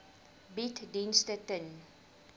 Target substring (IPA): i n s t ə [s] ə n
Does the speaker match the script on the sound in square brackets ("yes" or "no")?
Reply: no